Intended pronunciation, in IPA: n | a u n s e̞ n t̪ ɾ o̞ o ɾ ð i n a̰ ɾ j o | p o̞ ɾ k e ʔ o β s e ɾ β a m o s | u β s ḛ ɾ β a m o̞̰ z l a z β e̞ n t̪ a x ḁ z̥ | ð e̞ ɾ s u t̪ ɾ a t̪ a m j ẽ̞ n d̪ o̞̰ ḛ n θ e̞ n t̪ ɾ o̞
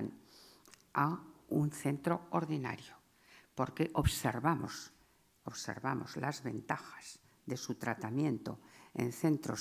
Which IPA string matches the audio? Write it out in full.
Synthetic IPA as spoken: n | a u n θ e̞ n t̪ ɾ o̞ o ɾ ð i n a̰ ɾ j o | p o̞ ɾ k e ʔ o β s e ɾ β a m o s | o β s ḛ ɾ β a m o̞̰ z l a z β e̞ n t̪ a x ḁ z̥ | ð e̞ s u t̪ ɾ a t̪ a m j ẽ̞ n t̪ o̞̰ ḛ n θ e̞ n t̪ ɾ o̞